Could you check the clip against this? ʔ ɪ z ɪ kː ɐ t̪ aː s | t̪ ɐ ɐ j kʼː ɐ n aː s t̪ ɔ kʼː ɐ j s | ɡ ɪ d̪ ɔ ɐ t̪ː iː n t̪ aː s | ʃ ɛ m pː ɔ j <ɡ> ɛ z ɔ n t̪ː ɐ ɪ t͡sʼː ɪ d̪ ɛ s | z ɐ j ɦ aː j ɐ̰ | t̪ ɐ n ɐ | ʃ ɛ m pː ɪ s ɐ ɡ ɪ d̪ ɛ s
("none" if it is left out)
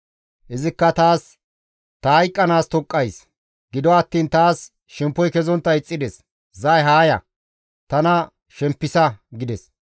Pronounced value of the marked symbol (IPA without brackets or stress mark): k